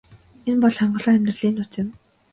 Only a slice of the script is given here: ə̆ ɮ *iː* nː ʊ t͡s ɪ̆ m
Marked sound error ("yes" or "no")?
no